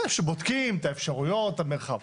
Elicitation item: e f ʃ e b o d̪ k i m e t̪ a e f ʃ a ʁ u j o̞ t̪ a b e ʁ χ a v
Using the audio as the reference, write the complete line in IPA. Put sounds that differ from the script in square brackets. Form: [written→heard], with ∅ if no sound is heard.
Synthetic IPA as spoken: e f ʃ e b o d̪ k i m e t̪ a e f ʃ a ʁ u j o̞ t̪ a [b→m] e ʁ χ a v